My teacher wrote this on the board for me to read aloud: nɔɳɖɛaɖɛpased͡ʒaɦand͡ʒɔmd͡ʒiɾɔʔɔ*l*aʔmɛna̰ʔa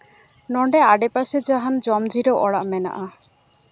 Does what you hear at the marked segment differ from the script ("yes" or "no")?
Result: yes